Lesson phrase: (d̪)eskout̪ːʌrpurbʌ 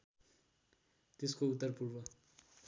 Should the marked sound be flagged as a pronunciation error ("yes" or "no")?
yes